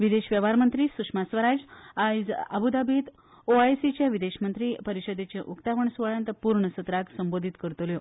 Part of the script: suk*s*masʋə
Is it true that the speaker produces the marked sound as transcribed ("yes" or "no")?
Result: no